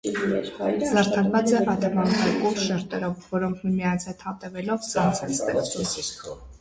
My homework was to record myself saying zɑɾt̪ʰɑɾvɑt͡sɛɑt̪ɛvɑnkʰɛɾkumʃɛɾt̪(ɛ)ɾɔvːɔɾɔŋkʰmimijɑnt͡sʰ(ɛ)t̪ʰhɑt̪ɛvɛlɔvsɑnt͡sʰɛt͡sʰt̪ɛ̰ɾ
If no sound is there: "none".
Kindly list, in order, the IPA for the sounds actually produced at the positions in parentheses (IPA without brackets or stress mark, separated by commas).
ɛ, ɛ